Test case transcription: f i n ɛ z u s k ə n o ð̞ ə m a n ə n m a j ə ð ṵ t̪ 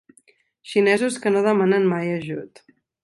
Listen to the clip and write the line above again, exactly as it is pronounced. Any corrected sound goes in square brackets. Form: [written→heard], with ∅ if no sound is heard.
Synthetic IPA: [f→ʃ] i n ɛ z u s k ə n o ð̞ ə m a n ə n m a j ə [ð→ʒ] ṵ t̪